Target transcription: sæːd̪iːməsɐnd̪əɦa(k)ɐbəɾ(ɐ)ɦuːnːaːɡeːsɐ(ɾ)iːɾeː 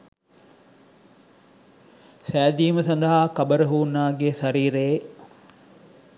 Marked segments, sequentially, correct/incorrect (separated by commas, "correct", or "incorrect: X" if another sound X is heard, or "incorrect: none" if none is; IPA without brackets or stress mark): correct, incorrect: ə, correct